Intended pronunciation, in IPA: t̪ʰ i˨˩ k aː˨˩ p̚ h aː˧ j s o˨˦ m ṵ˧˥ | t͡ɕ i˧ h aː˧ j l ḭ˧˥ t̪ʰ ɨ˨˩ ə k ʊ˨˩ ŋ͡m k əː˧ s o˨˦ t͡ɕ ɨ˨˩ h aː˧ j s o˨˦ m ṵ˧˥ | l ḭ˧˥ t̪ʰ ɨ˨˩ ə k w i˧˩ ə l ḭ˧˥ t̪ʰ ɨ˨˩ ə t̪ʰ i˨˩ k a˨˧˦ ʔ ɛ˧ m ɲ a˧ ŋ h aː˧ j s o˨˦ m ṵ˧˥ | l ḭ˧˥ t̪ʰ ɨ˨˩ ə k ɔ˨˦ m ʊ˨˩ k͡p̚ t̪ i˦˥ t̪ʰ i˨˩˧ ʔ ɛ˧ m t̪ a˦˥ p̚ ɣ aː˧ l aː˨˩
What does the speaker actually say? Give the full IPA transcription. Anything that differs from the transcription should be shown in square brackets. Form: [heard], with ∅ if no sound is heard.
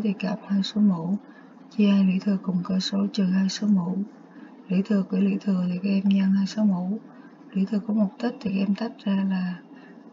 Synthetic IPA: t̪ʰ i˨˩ k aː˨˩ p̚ h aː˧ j s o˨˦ m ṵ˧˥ | t͡ɕ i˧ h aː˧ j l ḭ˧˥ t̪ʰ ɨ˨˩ ə k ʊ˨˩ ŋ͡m k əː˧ s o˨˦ t͡ɕ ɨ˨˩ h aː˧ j s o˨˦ m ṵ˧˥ | l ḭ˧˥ t̪ʰ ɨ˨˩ ə k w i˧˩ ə l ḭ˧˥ t̪ʰ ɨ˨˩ ə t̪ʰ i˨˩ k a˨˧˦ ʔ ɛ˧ m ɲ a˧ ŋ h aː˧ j s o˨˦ m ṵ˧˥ | l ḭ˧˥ t̪ʰ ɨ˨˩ ə k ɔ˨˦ m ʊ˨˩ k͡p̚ t̪ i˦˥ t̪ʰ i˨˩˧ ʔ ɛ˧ m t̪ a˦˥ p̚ [z] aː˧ l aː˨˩